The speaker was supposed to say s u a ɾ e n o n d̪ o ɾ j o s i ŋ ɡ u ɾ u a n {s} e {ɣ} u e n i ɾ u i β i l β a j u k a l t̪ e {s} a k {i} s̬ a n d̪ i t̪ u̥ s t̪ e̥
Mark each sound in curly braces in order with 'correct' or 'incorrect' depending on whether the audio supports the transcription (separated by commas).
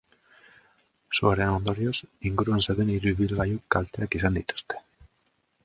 correct, incorrect, incorrect, correct